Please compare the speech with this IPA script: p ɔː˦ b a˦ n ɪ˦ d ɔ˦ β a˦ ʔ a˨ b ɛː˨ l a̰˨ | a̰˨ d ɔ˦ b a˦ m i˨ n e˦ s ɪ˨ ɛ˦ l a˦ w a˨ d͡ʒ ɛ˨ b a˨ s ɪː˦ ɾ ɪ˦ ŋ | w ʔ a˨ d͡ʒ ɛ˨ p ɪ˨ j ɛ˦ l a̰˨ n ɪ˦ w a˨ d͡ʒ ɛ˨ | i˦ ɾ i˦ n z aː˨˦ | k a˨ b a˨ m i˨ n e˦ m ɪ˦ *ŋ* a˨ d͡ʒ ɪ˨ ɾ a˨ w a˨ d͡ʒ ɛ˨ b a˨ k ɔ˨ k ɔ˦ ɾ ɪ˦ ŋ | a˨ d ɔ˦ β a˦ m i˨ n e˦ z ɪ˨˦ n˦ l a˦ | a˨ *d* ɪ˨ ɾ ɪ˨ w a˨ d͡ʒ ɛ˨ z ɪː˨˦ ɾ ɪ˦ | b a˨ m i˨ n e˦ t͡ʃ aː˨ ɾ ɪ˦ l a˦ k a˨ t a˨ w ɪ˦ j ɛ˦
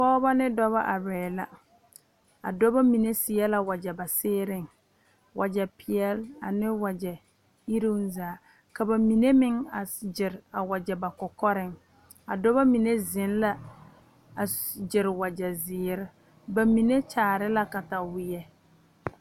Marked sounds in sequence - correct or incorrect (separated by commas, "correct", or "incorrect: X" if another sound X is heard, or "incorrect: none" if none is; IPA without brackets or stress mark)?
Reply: correct, incorrect: d͡ʒ